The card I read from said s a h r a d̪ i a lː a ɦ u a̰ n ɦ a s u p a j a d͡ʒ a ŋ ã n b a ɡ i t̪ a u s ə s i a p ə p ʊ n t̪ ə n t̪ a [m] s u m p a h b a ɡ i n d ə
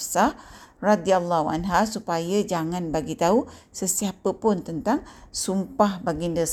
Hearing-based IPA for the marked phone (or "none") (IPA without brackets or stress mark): ŋ